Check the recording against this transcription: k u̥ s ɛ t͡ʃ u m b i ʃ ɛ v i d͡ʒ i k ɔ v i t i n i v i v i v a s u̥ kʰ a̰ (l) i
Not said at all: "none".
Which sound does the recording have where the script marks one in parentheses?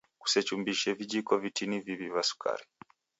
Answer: ɾ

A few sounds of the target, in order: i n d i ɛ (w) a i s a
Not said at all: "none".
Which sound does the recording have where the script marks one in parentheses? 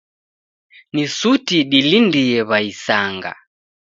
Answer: β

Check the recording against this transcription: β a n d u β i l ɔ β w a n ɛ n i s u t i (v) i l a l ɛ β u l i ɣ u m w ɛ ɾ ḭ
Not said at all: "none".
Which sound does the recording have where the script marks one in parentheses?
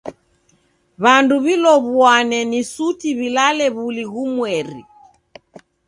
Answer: β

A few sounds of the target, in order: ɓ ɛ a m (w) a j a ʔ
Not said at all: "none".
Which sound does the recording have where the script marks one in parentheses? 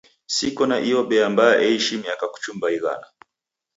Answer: b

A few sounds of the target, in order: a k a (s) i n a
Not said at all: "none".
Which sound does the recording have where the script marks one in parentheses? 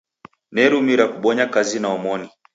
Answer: z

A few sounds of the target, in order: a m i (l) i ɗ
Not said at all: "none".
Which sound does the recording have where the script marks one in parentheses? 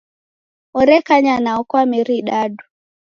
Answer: ɾ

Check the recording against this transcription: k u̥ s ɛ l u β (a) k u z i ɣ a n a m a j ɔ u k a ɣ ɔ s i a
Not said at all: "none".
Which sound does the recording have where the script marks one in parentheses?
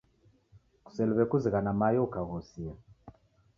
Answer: ɛ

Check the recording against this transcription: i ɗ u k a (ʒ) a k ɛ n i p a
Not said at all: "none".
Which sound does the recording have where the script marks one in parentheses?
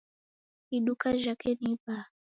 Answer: ʒ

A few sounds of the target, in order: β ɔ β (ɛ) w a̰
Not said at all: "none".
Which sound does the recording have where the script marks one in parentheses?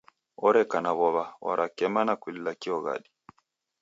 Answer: a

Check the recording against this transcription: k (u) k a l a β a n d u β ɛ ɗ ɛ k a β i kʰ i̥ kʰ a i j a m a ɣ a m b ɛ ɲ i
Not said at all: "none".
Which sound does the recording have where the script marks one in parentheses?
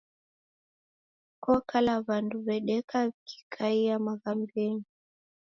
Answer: ɔ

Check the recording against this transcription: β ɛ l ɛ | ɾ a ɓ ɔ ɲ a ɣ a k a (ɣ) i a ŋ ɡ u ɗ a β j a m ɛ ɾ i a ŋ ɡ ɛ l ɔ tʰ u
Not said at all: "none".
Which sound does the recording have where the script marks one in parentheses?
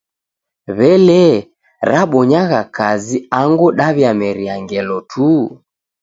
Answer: z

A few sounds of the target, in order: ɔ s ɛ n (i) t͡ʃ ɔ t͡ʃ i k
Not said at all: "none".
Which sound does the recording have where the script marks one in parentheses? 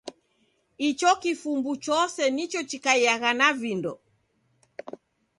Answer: i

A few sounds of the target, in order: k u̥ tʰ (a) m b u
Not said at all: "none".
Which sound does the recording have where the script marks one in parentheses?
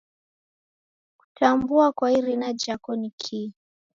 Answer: a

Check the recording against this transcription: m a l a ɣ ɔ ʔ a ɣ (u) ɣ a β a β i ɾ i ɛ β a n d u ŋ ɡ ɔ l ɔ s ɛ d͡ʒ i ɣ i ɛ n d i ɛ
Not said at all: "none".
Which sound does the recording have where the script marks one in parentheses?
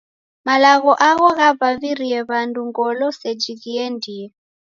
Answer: ɔ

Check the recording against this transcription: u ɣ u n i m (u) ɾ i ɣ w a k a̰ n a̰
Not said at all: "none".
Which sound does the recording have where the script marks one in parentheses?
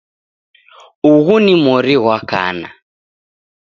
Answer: ɔ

